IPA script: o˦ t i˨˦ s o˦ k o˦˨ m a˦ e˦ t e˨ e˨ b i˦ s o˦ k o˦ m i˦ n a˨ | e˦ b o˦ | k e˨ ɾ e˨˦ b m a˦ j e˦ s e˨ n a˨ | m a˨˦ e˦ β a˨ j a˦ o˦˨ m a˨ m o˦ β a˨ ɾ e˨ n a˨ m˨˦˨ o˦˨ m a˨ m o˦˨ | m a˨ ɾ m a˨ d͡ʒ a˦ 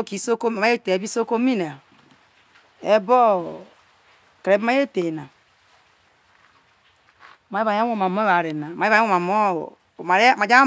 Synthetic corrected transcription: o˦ k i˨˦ s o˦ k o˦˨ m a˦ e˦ t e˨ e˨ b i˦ s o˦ k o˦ m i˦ n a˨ | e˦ b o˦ | k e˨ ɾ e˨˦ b m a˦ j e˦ t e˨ n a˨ | m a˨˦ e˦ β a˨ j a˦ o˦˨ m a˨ m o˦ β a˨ ɾ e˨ n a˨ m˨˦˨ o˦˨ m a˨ m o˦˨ | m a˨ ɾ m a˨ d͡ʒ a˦